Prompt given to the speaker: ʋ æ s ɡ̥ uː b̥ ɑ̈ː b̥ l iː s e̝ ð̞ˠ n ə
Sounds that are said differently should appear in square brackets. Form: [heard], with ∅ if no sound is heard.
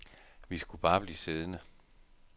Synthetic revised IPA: ʋ [i] s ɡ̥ [u] b̥ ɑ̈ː b̥ l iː s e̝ ð̞ˠ n ə